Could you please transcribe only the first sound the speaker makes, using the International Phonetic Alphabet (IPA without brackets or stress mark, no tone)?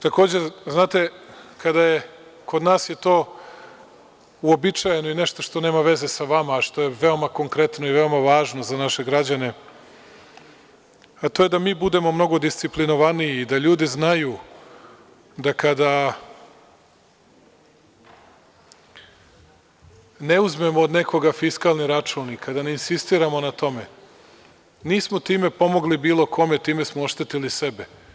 t̪